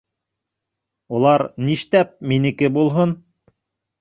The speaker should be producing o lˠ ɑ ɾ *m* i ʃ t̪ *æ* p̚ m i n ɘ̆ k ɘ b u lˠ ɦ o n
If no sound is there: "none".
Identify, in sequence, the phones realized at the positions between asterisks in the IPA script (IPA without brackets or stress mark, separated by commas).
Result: n, æ